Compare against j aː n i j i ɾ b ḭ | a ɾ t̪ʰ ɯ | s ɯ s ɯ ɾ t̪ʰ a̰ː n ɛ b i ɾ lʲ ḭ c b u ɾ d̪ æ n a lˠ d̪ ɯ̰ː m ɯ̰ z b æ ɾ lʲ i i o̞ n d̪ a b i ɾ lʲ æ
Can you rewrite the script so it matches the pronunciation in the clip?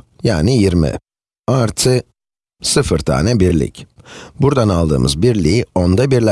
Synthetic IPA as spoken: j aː n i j i ɾ m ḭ | a ɾ t̪ʰ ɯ | s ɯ f ɯ ɾ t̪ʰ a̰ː n ɛ b i ɾ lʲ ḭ c b u ɾ d̪ a n a lˠ d̪ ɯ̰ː m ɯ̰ z b i ɾ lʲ i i o̞ n d̪ a b i ɾ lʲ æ